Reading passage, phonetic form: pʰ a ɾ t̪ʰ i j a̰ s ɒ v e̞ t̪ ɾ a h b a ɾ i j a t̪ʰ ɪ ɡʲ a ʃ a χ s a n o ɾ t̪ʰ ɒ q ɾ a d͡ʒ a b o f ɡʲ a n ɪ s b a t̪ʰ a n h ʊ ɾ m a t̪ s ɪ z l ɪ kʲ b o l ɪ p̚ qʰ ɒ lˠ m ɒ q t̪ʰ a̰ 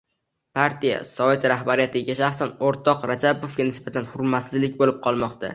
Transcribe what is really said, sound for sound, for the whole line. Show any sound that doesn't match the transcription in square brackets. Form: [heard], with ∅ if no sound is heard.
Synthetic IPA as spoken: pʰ a ɾ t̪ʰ i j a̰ s ɒ v e̞ t̪ ɾ a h b a ɾ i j a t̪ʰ ɪ ɡʲ a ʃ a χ s a n o ɾ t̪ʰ ɒ q ɾ a d͡ʒ a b o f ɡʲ a n ɪ s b a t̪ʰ a n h ʊ ɾ m a t̪ s ɪ z l ɪ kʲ b o l ɪ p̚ qʰ ɒ lˠ m ɒ q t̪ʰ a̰